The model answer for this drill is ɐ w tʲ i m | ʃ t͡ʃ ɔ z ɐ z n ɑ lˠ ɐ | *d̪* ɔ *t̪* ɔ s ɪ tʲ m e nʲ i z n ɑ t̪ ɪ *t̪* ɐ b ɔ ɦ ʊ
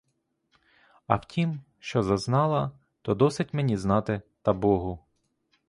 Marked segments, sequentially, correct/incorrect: incorrect, incorrect, correct

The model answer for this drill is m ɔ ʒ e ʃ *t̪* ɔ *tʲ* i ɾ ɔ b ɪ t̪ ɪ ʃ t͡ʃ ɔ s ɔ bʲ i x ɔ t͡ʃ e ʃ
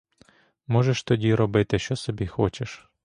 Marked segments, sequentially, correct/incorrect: correct, incorrect

